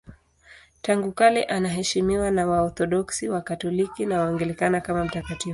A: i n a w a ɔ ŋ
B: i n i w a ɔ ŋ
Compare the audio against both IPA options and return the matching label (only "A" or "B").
A